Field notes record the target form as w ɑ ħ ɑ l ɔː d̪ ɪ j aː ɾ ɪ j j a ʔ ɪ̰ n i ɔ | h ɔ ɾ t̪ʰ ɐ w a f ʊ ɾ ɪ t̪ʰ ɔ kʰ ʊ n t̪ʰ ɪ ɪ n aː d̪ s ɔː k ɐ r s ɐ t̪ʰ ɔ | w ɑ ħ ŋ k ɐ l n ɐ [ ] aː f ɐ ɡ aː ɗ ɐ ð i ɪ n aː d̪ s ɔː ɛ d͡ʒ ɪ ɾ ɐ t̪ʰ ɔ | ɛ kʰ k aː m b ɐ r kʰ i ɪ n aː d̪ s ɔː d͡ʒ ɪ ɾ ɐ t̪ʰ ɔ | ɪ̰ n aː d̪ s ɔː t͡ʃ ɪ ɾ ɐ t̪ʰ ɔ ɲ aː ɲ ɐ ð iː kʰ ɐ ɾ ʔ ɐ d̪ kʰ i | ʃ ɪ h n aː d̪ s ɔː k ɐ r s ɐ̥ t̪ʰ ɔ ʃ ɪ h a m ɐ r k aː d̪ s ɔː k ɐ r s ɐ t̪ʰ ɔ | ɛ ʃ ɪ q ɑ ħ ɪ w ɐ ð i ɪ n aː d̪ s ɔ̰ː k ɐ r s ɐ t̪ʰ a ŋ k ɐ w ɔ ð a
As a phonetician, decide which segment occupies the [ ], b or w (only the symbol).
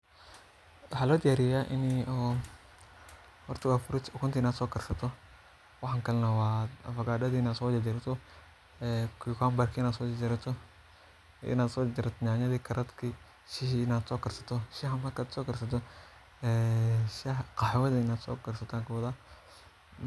w